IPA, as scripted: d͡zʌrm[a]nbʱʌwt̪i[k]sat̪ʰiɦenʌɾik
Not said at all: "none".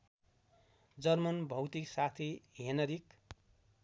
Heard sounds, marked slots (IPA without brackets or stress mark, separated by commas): ʌ, k